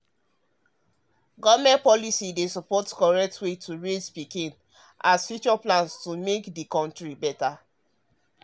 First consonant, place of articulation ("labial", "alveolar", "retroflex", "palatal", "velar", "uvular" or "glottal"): velar